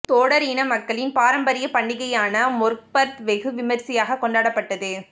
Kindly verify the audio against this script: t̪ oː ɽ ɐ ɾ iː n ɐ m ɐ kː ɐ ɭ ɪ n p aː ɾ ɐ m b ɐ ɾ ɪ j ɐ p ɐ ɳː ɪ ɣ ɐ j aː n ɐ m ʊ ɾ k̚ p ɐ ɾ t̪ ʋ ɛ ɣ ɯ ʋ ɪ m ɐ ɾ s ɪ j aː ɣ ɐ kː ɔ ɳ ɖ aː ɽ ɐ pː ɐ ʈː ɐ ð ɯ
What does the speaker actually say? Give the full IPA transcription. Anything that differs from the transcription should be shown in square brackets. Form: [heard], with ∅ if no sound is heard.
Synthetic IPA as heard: t̪ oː ɽ ɐ ɾ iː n ɐ m ɐ kː ɐ ɭ ɪ n p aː ɾ ɐ m b ɐ ɾ ɪ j ɐ p ɐ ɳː ɪ ɣ ɐ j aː n ɐ m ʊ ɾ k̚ p ɐ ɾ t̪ ʋ ɛ ɣ ɯ ʋ ɪ m ɐ ɾ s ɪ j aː ɣ ɐ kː ɔ ɳ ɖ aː ɽ ɐ pː ɐ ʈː ɐ ð ɯ